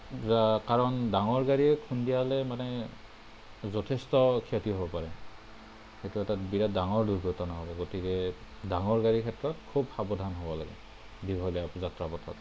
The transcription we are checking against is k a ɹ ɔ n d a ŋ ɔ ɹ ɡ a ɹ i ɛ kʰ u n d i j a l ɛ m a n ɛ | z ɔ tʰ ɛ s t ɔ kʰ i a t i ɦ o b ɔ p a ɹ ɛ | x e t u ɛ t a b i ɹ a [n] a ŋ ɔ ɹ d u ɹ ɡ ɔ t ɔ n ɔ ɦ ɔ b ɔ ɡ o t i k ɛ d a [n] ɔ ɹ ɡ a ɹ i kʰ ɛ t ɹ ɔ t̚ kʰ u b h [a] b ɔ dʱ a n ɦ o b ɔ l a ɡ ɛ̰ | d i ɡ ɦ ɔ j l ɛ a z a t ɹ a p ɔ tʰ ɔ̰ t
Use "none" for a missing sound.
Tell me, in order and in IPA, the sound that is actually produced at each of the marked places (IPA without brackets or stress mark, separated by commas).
d, ŋ, a